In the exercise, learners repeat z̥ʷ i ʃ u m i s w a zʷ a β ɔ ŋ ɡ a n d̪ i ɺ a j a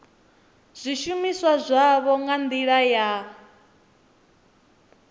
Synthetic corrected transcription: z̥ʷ i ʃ u m i s w a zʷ a β ɔ ŋ ɡ a n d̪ i ɺ a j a